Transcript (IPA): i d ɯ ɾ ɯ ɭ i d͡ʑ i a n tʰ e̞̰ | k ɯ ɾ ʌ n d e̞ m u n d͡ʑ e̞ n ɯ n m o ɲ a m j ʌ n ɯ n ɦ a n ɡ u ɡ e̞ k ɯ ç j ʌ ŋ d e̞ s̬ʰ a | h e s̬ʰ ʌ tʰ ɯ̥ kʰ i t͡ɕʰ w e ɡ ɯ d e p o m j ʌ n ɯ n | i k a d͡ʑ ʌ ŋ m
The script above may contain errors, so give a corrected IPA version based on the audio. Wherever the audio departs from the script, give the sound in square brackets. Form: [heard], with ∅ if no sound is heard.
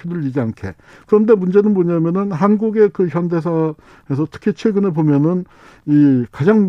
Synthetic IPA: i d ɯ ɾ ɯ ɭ i d͡ʑ i a n [kʰ] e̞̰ | k ɯ ɾ ʌ n d e̞ m u n d͡ʑ e̞ n ɯ n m o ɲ a m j ʌ n ɯ n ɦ a n ɡ u ɡ e̞ k ɯ ç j ʌ [n] d e̞ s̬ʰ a | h e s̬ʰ ʌ tʰ ɯ̥ kʰ i t͡ɕʰ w e ɡ ɯ [n] e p o m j ʌ n ɯ n | i k a d͡ʑ [a] ŋ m